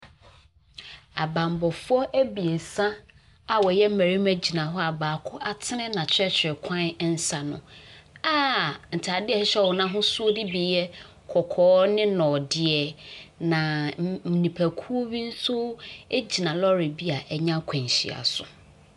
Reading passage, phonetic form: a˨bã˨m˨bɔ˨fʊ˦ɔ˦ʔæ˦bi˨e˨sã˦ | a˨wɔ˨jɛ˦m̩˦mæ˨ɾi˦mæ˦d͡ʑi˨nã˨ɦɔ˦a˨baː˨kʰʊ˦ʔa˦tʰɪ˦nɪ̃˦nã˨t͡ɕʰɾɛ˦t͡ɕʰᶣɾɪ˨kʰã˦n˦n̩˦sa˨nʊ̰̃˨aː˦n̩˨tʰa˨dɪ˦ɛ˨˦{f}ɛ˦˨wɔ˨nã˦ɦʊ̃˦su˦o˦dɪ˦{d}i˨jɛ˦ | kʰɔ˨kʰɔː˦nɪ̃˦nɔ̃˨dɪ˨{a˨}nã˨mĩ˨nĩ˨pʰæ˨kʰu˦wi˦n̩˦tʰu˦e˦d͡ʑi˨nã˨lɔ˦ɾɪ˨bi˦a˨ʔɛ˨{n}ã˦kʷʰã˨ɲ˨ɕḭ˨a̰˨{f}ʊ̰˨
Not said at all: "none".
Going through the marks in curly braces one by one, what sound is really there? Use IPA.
ɕ, b, ɛ˨, ɲ, s

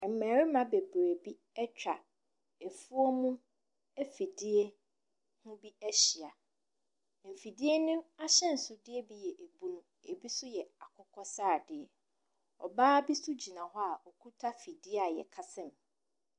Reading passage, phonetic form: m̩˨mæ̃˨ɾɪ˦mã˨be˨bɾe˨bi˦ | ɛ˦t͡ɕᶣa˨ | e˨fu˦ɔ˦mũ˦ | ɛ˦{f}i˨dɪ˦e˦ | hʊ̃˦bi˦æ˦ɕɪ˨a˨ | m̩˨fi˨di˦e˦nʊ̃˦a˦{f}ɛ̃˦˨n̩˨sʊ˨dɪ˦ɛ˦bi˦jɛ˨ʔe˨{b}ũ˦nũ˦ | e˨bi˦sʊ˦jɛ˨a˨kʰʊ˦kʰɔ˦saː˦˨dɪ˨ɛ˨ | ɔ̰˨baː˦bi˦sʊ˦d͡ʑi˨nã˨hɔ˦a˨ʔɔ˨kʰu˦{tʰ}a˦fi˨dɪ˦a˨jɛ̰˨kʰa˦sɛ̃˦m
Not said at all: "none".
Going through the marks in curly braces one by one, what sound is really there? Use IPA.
f, ɕ, b, tʰ

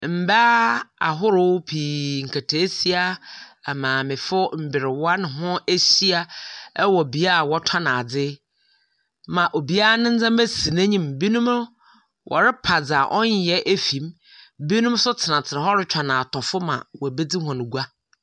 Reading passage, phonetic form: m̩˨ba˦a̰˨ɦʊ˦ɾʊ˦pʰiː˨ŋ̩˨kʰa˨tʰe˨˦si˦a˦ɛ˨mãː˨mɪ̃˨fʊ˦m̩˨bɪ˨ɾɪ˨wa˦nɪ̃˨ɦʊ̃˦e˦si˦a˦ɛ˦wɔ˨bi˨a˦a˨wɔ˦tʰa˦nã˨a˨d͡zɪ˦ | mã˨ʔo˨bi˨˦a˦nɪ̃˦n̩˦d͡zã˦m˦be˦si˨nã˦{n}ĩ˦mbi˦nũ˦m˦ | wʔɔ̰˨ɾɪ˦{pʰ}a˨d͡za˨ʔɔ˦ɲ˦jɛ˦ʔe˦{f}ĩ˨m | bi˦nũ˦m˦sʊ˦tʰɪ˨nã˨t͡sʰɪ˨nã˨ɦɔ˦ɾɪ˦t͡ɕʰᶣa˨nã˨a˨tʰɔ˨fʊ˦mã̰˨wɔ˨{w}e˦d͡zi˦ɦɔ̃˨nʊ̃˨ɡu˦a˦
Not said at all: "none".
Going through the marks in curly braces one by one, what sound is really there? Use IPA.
ɲ, pʰ, f, b

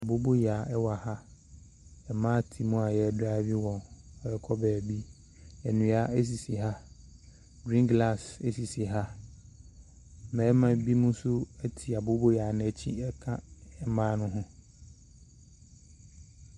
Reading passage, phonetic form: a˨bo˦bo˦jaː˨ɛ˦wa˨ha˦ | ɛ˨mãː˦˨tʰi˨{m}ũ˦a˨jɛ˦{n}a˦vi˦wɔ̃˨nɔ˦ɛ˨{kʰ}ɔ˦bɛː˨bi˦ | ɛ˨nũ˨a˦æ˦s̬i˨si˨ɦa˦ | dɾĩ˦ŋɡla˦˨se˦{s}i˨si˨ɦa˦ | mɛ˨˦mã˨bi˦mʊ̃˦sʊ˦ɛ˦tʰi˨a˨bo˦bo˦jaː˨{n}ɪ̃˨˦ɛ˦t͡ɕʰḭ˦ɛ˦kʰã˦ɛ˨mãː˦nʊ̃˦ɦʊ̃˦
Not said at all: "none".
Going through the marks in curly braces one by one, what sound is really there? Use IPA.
m, d, kʰ, s, n

